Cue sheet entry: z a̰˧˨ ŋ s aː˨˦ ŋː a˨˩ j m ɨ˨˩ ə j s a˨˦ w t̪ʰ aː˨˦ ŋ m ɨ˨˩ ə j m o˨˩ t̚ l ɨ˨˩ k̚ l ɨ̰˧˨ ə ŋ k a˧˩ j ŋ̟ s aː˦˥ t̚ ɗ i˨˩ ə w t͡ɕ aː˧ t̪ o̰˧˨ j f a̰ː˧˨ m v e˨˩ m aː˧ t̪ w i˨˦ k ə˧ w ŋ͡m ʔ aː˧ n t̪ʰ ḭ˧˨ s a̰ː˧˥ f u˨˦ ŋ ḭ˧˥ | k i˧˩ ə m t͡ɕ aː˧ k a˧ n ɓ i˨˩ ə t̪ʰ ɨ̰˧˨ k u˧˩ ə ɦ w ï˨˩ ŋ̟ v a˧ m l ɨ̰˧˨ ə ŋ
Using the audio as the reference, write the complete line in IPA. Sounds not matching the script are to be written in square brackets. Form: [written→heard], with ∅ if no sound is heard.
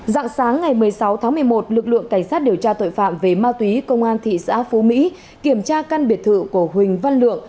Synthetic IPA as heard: z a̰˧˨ ŋ s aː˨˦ ŋː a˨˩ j m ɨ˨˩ ə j s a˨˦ w t̪ʰ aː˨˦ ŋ m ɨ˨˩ ə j m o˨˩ t̚ l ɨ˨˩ k̚ l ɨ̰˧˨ ə ŋ k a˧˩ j ŋ̟ s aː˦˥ t̚ ɗ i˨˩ ə w t͡ɕ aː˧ t̪ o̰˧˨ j f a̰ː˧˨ m v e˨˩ m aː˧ t̪ w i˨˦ k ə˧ w ŋ͡m ʔ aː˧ n t̪ʰ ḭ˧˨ s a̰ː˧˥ f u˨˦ [ŋ→m] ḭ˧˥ | k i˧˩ ə m t͡ɕ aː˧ k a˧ n ɓ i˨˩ ə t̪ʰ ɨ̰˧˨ k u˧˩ ə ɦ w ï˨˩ ŋ̟ v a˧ [m→n] l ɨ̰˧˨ ə ŋ